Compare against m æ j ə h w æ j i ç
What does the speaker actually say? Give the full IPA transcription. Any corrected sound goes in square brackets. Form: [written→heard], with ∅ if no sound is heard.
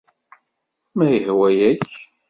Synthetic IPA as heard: m æ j ə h w æ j [i→æ] ç